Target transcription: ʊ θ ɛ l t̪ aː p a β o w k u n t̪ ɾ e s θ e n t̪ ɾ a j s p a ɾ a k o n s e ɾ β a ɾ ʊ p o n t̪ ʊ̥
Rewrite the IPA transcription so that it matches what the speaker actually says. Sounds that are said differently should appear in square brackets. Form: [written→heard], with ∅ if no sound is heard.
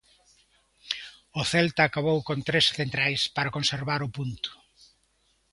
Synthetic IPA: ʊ θ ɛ l t̪ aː [p→k] a β o w k [u→o] n t̪ ɾ e s θ e n t̪ ɾ a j s p a ɾ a k o n s e ɾ β a ɾ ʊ p [o→u] n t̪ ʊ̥